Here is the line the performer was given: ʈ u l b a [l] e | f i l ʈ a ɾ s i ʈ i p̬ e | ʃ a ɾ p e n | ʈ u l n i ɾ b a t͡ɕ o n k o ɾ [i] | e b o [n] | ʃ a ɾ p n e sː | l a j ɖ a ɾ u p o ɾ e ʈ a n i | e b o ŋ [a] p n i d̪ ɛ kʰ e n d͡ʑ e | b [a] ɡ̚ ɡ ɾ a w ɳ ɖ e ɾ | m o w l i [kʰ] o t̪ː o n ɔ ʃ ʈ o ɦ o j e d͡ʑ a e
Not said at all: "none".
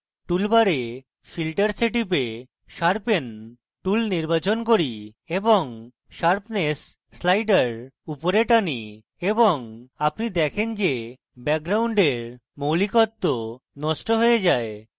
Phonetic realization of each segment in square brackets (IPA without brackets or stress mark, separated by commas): ɾ, i, ŋ, a, ɛ, k